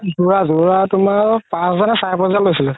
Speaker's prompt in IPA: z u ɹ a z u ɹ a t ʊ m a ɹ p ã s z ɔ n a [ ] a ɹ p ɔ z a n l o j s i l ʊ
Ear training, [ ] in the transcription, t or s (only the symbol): s